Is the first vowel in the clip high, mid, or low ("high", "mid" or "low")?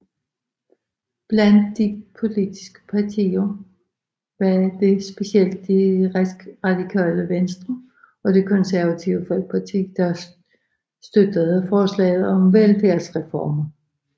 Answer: low